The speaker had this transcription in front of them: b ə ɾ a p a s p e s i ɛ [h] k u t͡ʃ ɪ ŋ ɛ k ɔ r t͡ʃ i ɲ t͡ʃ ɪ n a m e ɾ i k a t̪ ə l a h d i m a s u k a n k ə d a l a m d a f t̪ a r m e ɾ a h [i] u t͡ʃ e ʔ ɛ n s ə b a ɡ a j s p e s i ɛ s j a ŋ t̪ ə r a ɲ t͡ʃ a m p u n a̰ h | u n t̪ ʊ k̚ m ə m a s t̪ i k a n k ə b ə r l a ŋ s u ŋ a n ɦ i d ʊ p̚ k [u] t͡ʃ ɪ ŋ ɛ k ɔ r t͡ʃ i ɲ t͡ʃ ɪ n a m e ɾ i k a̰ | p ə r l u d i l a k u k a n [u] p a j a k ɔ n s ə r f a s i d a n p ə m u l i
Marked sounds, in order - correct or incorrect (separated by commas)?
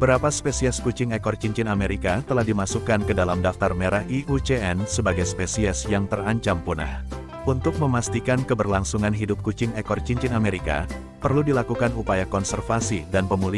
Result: incorrect, correct, correct, correct